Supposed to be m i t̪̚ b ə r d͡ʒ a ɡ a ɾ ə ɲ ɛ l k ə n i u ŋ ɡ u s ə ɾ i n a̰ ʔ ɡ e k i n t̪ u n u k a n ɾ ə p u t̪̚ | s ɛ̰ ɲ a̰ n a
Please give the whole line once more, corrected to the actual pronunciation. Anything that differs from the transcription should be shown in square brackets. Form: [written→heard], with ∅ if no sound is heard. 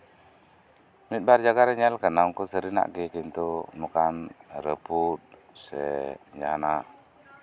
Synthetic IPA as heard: m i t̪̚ b [ə→a] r d͡ʒ a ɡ a ɾ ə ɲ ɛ l k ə n [i→a] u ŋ [ɡ→k] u s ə ɾ i n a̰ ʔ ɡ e k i n t̪ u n u k a n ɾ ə p u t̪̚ | s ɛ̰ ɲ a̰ n a